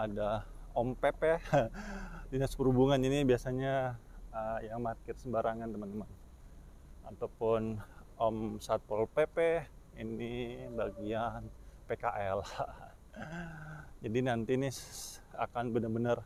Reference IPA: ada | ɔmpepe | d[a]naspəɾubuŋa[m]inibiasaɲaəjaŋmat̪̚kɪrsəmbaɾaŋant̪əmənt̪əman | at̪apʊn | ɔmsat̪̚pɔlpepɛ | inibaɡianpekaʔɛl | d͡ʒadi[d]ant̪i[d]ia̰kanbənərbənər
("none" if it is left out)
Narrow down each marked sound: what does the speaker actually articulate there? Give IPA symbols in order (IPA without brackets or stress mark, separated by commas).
i, n, n, n